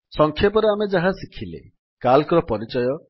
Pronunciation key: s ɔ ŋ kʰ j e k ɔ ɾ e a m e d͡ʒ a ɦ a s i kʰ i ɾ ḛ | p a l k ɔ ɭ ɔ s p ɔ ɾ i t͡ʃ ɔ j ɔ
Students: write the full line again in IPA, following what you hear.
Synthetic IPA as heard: s ɔ ŋ kʰ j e p ɔ ɾ e a m e d͡ʒ a ɦ a s i kʰ i l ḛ | k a l k ɔ ɾ ɔ p ɔ ɾ i t͡ʃ ɔ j ɔ